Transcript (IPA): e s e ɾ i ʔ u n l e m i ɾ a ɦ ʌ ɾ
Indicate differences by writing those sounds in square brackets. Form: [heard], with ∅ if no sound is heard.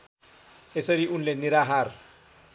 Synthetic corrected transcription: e s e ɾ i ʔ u n l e [n] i ɾ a ɦ [a] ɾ